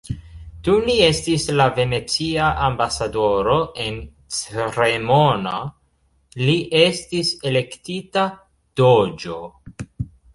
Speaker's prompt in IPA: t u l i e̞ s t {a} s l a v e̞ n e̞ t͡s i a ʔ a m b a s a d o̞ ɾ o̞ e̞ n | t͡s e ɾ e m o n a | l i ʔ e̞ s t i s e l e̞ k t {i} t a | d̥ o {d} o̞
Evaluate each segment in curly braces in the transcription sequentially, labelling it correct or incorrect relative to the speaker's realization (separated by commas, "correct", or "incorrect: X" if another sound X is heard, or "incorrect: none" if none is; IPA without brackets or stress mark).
incorrect: i, correct, incorrect: d͡ʒ